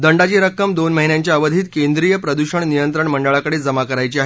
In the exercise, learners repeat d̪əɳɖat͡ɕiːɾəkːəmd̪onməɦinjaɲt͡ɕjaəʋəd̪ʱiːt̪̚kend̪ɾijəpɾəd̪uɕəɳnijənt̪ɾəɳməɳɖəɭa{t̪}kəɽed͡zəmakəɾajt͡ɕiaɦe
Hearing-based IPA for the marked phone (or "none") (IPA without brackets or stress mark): none